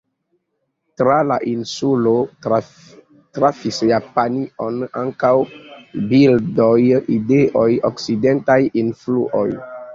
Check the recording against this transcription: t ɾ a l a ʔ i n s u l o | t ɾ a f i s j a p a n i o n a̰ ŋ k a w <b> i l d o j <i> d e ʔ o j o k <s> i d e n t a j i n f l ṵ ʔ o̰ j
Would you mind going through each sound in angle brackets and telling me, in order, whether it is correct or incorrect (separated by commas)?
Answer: correct, correct, correct